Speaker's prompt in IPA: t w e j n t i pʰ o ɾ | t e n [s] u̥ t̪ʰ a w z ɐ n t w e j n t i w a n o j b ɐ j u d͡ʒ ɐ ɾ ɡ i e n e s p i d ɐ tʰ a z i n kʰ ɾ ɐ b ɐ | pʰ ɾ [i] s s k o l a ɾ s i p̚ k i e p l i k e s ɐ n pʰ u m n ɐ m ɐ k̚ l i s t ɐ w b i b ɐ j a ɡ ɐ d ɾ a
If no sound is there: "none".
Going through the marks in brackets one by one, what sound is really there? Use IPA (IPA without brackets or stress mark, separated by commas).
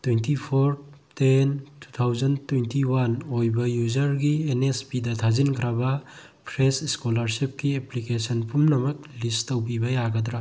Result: t, e